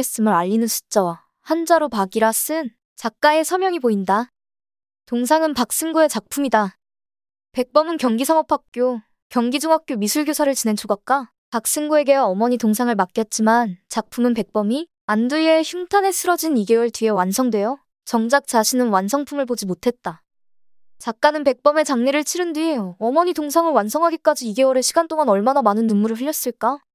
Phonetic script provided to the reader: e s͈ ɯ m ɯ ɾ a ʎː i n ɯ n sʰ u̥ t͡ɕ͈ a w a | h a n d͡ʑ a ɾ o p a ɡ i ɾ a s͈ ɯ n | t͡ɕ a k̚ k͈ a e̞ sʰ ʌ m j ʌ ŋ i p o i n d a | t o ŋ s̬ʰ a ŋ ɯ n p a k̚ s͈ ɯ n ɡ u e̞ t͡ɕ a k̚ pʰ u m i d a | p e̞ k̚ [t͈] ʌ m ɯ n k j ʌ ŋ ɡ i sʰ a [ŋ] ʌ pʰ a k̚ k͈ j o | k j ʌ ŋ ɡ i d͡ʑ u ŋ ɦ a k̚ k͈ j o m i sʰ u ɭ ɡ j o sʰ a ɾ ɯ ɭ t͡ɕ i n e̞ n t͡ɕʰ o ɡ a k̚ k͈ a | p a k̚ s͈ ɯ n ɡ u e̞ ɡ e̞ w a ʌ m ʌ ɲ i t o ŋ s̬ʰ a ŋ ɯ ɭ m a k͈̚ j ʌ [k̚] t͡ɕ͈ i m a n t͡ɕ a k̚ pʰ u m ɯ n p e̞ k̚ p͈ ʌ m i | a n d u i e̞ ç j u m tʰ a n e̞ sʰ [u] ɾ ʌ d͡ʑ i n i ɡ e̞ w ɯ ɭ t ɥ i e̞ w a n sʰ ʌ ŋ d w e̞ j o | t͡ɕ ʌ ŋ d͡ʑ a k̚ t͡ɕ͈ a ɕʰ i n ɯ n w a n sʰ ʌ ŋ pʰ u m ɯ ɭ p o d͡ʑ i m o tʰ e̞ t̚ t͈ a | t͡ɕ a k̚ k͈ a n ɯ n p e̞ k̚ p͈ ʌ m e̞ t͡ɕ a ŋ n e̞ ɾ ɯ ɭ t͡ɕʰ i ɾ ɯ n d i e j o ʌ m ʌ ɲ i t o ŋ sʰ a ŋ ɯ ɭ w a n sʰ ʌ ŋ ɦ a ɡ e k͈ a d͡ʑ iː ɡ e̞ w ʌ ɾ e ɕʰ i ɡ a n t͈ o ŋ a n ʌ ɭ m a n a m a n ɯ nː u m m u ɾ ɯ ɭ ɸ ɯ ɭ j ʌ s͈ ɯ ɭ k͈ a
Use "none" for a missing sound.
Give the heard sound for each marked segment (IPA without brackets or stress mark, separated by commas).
p͈, ŋ, t̚, ɯ